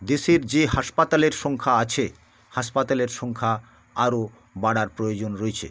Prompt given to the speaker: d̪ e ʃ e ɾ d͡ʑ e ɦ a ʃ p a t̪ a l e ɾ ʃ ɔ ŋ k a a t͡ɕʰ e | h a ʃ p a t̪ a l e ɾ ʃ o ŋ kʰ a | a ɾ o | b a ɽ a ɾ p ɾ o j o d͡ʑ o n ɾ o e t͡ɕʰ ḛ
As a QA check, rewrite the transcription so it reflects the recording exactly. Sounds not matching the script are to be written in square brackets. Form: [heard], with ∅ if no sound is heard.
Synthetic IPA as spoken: d̪ e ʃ e ɾ d͡ʑ e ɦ a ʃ p a t̪ a l e ɾ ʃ ɔ ŋ [kʰ] a a t͡ɕʰ e | h a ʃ p a t̪ a l e ɾ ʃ [ɔ] ŋ kʰ a | a ɾ o | b a ɽ a ɾ p ɾ o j o d͡ʑ o n ɾ o e t͡ɕʰ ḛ